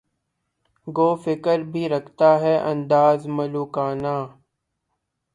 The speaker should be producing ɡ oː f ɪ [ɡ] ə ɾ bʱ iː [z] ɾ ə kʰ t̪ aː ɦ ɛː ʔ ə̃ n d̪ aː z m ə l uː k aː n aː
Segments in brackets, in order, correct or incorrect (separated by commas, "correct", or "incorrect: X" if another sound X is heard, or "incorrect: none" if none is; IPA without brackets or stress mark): incorrect: k, incorrect: none